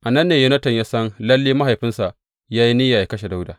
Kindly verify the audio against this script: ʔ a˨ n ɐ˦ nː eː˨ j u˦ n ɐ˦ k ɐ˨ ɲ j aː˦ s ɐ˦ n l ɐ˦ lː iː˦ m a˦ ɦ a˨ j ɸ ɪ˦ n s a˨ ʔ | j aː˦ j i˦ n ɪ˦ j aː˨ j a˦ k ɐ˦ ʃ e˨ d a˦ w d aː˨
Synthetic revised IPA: ʔ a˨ n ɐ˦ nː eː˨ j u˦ n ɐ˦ t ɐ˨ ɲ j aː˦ s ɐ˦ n l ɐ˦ lː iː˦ m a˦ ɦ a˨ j ɸ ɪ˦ n s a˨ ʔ | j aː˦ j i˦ n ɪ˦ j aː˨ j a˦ k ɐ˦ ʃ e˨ d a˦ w d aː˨